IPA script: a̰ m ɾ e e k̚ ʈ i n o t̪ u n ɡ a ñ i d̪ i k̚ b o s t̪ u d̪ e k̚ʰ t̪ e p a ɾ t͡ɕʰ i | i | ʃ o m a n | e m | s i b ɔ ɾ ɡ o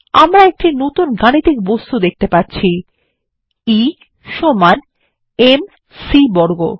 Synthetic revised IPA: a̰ m ɾ a e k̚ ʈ i n o t̪ u n ɡ a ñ i t̪ i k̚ b o s t̪ u d̪ e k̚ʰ t̪ e p a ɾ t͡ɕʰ i | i | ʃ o m a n | e m | s i b ɔ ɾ ɡ o